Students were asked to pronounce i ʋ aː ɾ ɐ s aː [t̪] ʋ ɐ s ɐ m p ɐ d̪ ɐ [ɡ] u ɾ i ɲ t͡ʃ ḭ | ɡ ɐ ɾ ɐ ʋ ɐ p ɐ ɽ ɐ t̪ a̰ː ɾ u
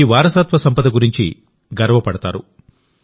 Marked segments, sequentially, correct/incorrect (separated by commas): correct, correct